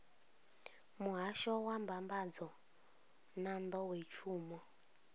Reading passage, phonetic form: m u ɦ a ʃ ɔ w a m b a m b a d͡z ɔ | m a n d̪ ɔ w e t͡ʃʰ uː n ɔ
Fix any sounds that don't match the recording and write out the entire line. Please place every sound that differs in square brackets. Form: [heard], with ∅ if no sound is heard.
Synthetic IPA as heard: m u ɦ a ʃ ɔ w a m b a m b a d͡z ɔ | [n] a n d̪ ɔ w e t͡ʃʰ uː [m] ɔ